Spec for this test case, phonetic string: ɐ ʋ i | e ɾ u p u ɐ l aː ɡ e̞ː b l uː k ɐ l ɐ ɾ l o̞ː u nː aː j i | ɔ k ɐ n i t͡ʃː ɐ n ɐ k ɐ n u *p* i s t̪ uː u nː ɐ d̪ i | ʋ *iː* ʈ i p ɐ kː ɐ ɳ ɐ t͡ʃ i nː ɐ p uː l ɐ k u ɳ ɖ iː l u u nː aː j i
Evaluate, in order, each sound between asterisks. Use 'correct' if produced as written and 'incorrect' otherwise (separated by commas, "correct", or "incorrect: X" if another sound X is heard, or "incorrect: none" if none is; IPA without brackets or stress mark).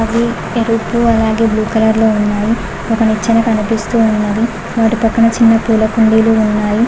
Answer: correct, incorrect: aː